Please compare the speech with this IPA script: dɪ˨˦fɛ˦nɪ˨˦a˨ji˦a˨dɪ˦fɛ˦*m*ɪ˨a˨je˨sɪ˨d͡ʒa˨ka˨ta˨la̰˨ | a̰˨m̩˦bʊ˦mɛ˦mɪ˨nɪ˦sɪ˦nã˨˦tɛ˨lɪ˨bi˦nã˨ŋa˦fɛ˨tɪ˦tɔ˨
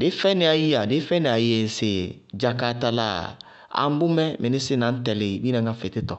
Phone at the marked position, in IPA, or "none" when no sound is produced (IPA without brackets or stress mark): n